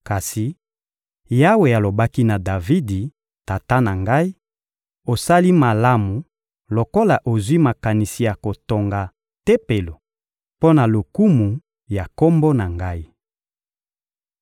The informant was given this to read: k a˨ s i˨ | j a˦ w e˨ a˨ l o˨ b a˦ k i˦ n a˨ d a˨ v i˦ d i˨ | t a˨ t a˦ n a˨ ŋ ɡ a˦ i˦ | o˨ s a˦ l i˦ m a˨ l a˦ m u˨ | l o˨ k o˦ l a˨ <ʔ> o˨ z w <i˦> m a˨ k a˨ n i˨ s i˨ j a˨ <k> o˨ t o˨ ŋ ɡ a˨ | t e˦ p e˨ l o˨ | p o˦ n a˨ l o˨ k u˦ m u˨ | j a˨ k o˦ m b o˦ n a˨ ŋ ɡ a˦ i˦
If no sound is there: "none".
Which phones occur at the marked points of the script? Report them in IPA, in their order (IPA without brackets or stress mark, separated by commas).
ʔ, i˦, k